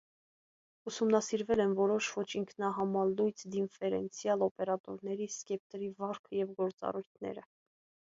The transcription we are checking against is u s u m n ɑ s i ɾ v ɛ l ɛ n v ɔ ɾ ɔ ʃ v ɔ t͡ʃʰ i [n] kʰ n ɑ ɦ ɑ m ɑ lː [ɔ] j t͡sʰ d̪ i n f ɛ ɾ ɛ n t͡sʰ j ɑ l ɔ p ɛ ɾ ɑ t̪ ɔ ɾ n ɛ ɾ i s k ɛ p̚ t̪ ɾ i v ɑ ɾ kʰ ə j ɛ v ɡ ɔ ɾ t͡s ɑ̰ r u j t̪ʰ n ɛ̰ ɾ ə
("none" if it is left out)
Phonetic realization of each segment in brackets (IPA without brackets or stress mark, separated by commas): ŋ, u